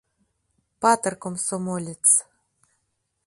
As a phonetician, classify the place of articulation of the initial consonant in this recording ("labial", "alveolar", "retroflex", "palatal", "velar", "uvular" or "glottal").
labial